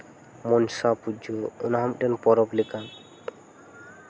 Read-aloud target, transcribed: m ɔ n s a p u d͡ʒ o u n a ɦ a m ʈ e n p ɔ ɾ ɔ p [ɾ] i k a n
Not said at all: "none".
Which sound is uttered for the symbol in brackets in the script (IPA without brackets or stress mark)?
l